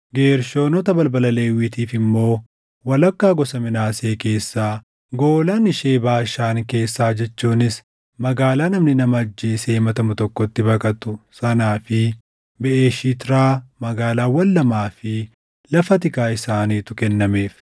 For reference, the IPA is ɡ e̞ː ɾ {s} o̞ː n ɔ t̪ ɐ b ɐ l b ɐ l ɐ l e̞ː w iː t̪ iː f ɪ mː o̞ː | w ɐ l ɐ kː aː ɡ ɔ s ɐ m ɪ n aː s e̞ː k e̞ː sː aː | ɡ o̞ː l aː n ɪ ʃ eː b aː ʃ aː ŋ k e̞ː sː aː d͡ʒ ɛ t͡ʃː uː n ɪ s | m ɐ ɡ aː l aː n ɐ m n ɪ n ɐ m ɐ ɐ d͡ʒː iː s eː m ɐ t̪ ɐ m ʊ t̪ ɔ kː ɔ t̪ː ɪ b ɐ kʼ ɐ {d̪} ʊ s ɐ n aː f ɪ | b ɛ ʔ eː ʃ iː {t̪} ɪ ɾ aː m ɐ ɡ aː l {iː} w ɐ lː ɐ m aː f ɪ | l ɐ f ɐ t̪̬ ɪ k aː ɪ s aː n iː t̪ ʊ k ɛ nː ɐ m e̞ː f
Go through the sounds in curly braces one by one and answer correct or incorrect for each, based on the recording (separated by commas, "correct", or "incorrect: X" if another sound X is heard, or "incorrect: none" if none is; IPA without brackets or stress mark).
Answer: incorrect: ʃ, incorrect: t̪, correct, incorrect: aː